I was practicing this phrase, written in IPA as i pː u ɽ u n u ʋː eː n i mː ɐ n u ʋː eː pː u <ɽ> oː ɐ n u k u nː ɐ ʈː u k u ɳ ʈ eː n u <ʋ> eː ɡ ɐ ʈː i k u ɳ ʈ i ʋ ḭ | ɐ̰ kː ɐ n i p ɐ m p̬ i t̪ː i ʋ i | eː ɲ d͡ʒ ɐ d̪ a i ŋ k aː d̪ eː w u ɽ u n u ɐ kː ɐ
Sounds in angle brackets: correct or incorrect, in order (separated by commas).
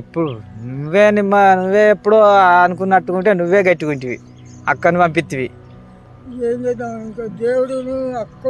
correct, incorrect